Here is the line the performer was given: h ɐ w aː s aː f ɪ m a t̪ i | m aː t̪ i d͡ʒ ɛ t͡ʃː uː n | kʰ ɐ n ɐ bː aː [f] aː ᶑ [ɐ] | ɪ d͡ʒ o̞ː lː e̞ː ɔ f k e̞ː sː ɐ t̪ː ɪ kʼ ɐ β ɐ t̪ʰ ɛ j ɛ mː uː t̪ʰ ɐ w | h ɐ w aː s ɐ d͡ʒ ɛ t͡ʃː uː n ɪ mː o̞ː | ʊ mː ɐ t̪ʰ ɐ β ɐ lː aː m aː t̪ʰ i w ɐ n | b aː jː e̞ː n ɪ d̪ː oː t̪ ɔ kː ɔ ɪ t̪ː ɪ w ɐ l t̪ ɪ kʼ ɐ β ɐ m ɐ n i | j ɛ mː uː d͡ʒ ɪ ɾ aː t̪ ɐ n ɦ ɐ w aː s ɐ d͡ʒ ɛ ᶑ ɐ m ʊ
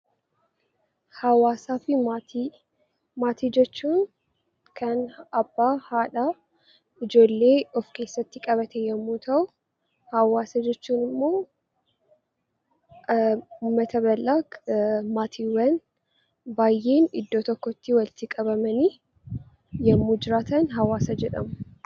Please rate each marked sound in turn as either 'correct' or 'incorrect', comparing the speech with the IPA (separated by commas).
incorrect, incorrect